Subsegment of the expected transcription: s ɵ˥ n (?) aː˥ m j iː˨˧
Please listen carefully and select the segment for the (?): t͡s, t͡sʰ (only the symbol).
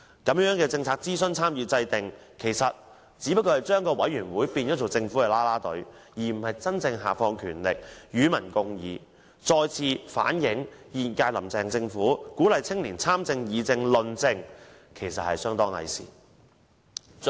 t͡sʰ